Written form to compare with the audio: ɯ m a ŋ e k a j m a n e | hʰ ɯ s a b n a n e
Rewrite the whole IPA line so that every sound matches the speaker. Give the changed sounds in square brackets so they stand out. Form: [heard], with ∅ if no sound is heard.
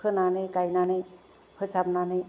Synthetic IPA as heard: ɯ [n] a [n] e k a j [n] a n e | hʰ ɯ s a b n a n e